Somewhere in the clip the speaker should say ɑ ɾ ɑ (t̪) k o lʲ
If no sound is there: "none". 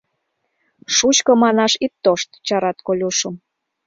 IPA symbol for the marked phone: t̪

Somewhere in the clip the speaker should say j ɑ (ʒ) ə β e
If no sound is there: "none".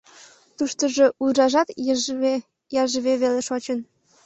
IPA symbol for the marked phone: ʒ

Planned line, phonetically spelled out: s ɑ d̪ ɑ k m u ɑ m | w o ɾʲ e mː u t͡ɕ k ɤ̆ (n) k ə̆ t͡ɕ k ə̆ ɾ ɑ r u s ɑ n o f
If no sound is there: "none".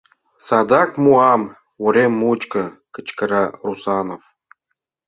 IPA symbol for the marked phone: none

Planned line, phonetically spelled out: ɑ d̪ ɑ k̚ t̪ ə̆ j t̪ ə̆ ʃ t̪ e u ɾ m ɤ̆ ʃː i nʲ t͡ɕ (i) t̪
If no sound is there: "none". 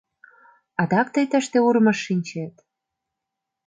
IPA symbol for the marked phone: e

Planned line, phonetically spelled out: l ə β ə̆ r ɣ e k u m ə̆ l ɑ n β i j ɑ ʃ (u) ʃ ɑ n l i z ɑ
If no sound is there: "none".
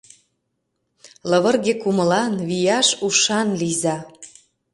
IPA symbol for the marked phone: u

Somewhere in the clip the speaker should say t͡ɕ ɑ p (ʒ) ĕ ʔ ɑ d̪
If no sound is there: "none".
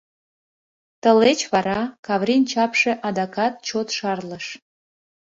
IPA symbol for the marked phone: ʃ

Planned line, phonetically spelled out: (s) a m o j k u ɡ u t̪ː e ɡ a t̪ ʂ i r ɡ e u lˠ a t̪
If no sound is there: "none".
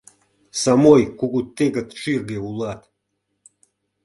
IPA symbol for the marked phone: s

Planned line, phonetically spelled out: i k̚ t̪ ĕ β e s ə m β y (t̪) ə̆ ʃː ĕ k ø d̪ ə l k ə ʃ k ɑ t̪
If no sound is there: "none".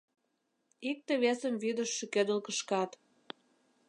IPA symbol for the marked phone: d̪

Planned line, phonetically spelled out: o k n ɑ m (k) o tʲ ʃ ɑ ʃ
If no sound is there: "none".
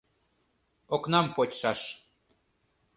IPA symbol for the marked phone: p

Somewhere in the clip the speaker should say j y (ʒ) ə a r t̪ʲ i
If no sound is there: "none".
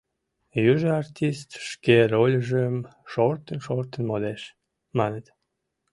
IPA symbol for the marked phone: ʒ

